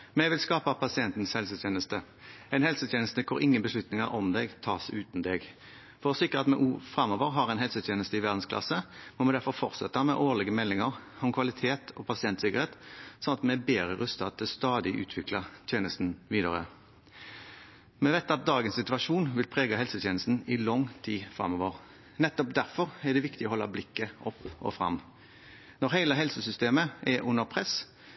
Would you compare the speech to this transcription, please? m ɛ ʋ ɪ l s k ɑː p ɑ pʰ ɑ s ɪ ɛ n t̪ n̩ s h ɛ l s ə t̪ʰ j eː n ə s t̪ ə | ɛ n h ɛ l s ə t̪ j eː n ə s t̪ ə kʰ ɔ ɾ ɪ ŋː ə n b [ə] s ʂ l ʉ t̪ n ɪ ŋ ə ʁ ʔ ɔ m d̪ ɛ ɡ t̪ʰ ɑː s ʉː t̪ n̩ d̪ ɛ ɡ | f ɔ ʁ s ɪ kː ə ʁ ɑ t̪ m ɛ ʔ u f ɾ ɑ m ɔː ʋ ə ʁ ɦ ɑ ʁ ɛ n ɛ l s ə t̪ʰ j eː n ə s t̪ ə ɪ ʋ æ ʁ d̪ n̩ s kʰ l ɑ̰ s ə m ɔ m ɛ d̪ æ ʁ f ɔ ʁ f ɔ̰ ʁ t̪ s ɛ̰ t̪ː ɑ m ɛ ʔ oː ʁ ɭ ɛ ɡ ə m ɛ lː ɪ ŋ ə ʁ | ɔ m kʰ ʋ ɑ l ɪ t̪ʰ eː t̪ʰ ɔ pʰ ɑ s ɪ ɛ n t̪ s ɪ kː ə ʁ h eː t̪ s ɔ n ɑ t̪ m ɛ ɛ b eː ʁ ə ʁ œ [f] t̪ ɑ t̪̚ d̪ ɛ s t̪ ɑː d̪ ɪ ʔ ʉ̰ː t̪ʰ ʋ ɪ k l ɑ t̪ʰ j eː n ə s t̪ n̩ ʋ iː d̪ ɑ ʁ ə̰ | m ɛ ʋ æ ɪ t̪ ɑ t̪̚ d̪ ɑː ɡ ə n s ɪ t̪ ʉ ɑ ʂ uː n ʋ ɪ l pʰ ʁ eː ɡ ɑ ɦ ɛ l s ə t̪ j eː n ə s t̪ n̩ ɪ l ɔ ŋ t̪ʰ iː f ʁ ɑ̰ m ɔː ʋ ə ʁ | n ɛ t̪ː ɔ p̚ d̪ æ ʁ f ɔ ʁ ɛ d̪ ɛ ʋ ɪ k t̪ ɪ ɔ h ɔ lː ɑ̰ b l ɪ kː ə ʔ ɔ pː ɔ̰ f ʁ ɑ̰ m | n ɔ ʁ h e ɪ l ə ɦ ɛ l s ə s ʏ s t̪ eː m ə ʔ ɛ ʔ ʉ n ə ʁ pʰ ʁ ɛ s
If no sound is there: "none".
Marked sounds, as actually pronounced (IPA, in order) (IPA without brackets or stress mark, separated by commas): ə, s